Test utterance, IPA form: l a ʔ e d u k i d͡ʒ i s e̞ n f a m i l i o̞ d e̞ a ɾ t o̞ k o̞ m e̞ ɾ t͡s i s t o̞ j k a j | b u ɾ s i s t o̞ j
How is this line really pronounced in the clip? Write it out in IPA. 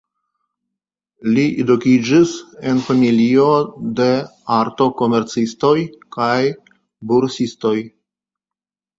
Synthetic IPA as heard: l i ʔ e d u k i d͡ʒ i s e̞ n f a m i l i o̞ d e̞ a ɾ t o̞ k o̞ m e̞ ɾ t͡s i s t o̞ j k a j | b u ɾ s i s t o̞ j

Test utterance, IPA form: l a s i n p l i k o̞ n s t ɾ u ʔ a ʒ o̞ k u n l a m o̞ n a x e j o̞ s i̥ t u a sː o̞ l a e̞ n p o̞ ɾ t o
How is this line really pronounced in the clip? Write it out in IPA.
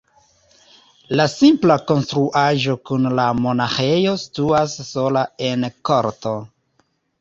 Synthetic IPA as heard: l a s i m p l a k o̞ n s t ɾ u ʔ a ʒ o̞ k u n l a m o̞ n a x e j o̞ s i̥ t u a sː o̞ l a e̞ n k o̞ ɾ t o

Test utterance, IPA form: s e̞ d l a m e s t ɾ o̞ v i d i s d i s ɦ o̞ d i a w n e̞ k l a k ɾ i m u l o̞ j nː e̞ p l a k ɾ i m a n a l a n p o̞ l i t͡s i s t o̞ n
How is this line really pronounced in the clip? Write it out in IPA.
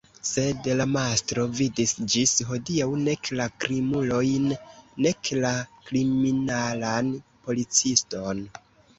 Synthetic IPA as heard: s e̞ d l a m a s t ɾ o̞ v i d i s d͡ʒ i s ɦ o̞ d i a w n e̞ k l a k ɾ i m u l o̞ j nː e̞ k l a k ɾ i m i n a l a n p o̞ l i t͡s i s t o̞ n

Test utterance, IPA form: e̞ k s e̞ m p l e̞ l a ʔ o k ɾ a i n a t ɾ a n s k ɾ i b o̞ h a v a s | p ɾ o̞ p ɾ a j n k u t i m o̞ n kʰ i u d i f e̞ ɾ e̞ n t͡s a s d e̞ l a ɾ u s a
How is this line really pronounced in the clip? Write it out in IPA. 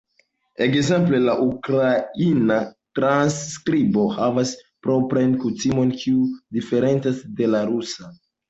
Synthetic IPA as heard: e̞ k z e̞ m p l e̞ l a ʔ u k ɾ a i n a t ɾ a n s k ɾ i b o̞ h a v a s | p ɾ o̞ p ɾ a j n k u t i m o̞ n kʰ i u d i f e̞ ɾ e̞ n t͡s a s d e̞ l a ɾ u s a

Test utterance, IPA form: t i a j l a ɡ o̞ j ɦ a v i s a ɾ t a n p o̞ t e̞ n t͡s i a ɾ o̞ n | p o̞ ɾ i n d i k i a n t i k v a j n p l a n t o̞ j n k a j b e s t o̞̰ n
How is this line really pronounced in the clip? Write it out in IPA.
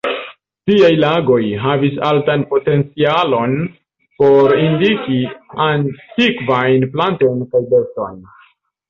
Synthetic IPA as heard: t i a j l a ɡ o̞ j ɦ a v i s a l t a n p o̞ t e̞ n t͡s i a l o̞ n | p o̞ ɾ i n d i k i a n t i k v a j n p l a n t o̞ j n k a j b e s t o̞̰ n

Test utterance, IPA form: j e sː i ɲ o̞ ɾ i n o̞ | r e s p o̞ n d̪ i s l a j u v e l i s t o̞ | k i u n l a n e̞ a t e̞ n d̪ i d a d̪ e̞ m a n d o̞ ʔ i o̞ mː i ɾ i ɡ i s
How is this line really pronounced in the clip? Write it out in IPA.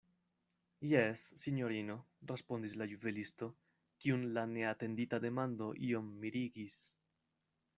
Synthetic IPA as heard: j e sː i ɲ o̞ ɾ i n o̞ | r e s p o̞ n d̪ i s l a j u v e l i s t o̞ | k i u n l a n e̞ a t e̞ n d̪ i t a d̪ e̞ m a n d o̞ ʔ i o̞ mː i ɾ i ɡ i s

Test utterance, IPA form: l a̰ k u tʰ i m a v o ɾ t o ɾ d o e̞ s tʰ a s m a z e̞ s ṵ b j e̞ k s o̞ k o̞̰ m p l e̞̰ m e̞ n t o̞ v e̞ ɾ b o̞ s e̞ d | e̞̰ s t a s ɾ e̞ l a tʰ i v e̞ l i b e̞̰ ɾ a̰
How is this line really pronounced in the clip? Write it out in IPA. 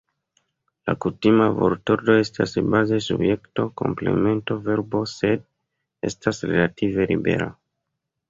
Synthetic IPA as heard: l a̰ k u t i m a v o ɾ t o ɾ d o e̞ s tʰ a s b a z e̞ s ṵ b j e̞ k t o̞ k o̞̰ m p l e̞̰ m e̞ n t o̞ v e̞ ɾ b o̞ s e̞ d | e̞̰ s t a s ɾ e̞ l a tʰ i v e̞ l i b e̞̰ ɾ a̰

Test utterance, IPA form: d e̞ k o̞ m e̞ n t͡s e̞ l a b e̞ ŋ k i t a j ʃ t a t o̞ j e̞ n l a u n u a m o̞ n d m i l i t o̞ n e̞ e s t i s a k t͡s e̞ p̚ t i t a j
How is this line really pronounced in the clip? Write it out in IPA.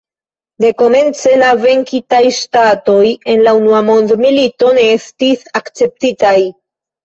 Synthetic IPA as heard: d e̞ k o̞ m e̞ n t͡s e̞ l a v e̞ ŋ k i t a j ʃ t a t o̞ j e̞ n l a u n u a m o̞ n d m i l i t o̞ n e̞ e s t i s a k t͡s e̞ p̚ t i t a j

